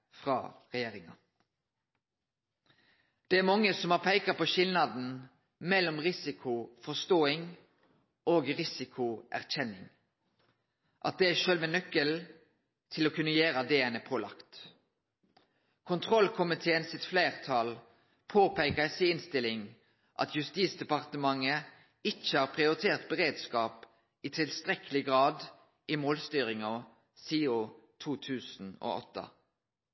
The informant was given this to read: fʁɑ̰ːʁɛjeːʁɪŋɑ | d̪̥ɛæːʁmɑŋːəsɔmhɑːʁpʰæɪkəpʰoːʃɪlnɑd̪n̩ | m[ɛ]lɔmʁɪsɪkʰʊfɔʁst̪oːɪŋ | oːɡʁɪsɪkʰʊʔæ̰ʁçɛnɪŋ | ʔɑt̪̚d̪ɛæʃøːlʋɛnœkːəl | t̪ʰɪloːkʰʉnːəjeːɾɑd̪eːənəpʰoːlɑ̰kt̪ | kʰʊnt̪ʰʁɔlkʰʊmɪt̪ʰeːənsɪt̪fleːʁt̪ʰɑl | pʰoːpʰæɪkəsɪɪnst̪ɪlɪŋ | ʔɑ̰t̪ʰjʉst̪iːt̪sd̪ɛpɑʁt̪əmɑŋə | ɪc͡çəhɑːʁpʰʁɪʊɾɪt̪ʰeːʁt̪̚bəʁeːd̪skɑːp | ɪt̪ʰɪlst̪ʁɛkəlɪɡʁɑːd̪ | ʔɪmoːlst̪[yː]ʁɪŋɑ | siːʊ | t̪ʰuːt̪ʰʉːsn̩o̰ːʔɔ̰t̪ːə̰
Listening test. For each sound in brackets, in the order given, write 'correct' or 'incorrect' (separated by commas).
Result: correct, correct